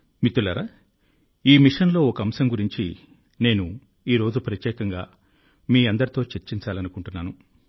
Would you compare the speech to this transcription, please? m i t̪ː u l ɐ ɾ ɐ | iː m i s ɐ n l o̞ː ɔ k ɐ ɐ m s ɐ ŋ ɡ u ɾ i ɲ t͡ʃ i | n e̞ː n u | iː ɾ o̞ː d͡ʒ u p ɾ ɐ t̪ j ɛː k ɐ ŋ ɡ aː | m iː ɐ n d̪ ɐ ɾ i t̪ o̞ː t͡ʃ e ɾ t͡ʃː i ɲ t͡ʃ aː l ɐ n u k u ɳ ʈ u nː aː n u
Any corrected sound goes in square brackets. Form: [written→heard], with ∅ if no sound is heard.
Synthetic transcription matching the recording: m i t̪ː u l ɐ ɾ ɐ | iː m i [s→ʂ] ɐ n l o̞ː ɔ k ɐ ɐ m s ɐ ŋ ɡ u ɾ i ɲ t͡ʃ i | n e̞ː n u | iː ɾ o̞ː d͡ʒ u p ɾ ɐ t̪ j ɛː k ɐ ŋ ɡ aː | m iː ɐ n d̪ ɐ ɾ i t̪ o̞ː t͡ʃ e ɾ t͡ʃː i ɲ t͡ʃ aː l ɐ n u k u ɳ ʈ u nː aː n u